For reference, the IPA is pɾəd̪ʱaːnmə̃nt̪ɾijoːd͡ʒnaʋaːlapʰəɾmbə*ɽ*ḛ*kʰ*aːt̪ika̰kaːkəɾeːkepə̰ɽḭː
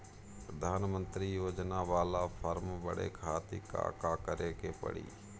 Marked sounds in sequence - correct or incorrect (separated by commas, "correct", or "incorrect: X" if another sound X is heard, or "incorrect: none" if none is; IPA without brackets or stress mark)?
correct, correct